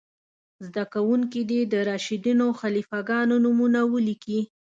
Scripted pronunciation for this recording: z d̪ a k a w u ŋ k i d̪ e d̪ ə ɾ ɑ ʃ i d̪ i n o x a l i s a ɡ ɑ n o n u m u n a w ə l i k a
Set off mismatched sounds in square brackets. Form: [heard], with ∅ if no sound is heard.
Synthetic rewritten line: z d̪ a k a w u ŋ k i d̪ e d̪ ə ɾ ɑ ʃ i d̪ i n o x a l i [f] a ɡ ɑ n o n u m u n a w ə l i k [i]